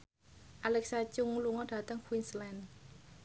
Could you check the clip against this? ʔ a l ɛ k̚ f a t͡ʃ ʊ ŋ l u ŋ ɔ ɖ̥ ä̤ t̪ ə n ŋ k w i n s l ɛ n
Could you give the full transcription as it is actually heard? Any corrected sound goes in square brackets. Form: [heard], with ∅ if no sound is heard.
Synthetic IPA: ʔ a l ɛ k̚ [s] a t͡ʃ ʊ ŋ l u ŋ ɔ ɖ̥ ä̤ t̪ ə [∅] ŋ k w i n s l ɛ n